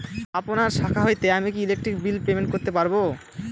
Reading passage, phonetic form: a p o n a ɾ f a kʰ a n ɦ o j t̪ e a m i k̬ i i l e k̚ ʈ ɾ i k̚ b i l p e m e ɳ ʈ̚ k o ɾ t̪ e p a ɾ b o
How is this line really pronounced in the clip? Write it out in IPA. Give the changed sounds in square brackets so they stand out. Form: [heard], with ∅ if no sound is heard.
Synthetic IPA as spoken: a p o n a ɾ [ʃ] a kʰ a [∅] ɦ o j t̪ e a m i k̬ i i l e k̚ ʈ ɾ i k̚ b i l p e m e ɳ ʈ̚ k o ɾ t̪ e p a ɾ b o